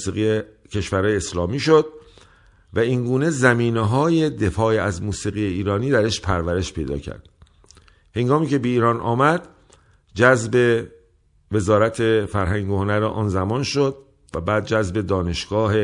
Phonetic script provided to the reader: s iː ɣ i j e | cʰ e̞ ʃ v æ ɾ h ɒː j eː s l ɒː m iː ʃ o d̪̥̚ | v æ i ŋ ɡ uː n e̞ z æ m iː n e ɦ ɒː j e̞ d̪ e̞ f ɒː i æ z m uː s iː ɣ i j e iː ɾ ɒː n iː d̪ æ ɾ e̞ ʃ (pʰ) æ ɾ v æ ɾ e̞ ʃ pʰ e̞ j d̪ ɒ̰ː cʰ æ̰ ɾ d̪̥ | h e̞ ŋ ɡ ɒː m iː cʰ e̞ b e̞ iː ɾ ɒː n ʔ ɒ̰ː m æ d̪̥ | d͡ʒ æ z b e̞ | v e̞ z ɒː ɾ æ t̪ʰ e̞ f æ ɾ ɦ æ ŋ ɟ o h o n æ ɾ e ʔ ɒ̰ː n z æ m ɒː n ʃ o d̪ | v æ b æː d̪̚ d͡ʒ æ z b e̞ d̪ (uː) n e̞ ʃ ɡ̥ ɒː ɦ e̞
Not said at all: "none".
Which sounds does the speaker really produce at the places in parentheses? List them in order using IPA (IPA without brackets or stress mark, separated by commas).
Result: pʰ, ɒː